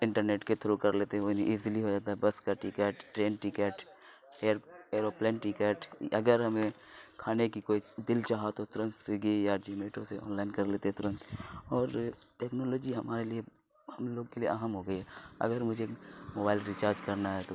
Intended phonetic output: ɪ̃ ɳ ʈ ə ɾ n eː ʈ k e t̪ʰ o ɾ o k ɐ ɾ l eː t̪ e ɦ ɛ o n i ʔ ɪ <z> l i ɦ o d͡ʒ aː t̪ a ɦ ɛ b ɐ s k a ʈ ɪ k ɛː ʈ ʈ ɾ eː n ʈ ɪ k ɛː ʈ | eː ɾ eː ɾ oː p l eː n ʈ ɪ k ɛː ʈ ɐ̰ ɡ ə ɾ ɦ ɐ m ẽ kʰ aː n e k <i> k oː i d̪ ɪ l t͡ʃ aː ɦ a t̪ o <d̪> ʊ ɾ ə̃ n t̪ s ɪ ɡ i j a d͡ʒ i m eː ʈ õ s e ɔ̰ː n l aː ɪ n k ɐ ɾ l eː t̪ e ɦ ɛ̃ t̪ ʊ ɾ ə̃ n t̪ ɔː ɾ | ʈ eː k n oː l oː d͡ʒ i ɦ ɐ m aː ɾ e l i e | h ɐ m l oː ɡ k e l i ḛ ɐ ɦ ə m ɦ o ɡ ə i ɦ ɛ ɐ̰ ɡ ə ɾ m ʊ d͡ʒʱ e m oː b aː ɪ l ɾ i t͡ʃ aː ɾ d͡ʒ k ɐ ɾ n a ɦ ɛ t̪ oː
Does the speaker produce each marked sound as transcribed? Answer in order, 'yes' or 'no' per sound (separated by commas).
yes, yes, no